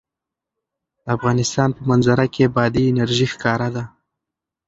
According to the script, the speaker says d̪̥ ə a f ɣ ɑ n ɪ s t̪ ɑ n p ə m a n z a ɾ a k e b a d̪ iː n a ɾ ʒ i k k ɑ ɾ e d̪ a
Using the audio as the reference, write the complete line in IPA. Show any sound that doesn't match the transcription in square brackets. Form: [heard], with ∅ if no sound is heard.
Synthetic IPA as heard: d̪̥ ə a f ɣ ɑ n ɪ s t̪ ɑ n p ə m a n z a ɾ a k e b [ɑ] d̪ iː n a ɾ ʒ i [x] k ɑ ɾ [a] d̪ a